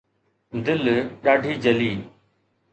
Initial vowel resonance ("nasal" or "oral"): oral